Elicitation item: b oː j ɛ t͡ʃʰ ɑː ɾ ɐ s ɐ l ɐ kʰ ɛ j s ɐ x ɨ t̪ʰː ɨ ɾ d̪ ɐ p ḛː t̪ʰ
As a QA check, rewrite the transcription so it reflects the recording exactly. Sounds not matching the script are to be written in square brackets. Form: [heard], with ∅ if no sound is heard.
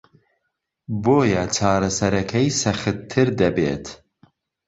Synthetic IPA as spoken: b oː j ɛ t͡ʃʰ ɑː ɾ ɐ s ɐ [ɾ] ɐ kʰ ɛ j s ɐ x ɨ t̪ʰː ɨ ɾ d̪ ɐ [b] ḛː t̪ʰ